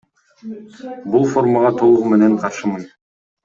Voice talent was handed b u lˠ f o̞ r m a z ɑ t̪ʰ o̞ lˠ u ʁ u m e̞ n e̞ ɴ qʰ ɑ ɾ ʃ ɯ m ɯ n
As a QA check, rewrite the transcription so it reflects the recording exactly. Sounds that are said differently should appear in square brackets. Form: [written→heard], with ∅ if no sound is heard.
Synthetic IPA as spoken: b u lˠ f o̞ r m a [z→ʁ] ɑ t̪ʰ o̞ lˠ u ʁ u m e̞ n e̞ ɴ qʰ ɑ ɾ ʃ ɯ m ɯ n